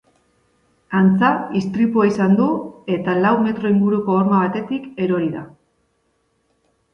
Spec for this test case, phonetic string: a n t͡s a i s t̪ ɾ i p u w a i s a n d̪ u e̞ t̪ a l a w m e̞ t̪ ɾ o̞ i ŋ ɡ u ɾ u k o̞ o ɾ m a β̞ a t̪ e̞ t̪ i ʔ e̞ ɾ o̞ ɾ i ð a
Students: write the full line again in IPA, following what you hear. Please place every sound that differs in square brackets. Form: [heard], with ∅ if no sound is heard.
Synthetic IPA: a n t͡s a i s t̪ ɾ i p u [∅] a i s a n d̪ u e̞ t̪ a l a w m e̞ t̪ ɾ o̞ i ŋ ɡ u ɾ u k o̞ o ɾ m a β̞ a t̪ e̞ t̪ i [k] e̞ ɾ o̞ ɾ i ð a